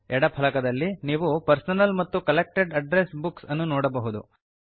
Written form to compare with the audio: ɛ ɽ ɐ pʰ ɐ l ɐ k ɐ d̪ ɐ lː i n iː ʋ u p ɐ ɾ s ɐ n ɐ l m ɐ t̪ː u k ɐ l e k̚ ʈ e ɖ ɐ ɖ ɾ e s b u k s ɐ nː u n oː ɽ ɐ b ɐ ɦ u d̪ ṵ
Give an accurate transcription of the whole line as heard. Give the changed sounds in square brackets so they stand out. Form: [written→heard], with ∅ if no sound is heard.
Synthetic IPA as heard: ɛ ɽ ɐ pʰ ɐ l ɐ k ɐ d̪ ɐ lː i n iː ʋ u p ɐ ɾ s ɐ n ɐ l m ɐ t̪ː u k ɐ l e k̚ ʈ e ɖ ɐ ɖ ɾ e s b u k s ɐ nː u n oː ɽ ɐ b ɐ ɦ u d̪ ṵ